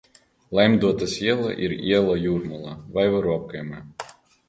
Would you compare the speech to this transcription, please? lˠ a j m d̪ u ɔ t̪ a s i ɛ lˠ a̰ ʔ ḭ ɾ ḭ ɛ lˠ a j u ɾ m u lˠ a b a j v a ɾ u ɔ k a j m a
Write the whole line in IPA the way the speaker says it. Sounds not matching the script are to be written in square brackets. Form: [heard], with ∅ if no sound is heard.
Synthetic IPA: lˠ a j m d̪ u ɔ t̪ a s i ɛ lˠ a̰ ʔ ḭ ɾ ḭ ɛ lˠ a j u ɾ m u lˠ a [v] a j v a ɾ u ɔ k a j m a